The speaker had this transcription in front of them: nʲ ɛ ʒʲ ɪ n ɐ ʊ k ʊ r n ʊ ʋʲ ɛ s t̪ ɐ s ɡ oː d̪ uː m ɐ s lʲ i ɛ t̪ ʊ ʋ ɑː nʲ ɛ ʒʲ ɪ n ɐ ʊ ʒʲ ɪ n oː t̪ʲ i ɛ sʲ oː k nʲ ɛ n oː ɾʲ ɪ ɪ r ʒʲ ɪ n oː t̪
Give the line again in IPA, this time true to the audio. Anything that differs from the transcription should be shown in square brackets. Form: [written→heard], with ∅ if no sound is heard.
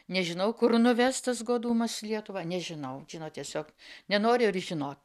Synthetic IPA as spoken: nʲ ɛ ʒʲ ɪ n ɐ ʊ k ʊ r n ʊ ʋʲ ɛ s t̪ ɐ s ɡ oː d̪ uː m ɐ s lʲ i ɛ t̪ ʊ ʋ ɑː nʲ ɛ ʒʲ ɪ n ɐ ʊ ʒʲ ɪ n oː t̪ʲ i ɛ sʲ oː k nʲ ɛ n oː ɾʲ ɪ ɪ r ʒʲ ɪ n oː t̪